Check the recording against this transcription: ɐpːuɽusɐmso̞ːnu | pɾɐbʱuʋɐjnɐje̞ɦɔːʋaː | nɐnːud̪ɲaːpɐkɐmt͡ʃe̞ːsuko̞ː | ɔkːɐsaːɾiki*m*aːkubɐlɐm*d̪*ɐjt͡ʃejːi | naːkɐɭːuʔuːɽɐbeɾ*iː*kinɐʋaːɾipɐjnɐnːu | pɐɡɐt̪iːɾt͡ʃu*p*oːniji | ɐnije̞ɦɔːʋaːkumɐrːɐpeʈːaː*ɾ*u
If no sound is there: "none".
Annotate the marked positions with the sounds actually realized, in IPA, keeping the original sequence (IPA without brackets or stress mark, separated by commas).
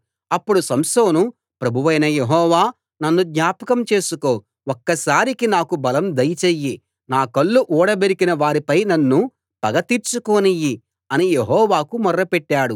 n, d̪, i, k, ɽ